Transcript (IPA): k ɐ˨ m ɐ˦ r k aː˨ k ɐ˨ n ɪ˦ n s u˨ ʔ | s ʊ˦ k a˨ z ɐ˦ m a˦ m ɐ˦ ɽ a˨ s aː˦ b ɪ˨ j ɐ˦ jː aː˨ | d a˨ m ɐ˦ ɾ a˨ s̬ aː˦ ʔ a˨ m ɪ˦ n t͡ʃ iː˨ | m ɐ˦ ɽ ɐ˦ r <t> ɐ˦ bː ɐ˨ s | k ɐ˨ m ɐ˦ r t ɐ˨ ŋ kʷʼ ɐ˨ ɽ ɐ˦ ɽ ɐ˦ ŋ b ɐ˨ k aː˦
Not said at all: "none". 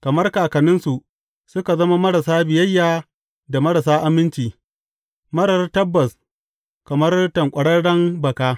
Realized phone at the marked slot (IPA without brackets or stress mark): t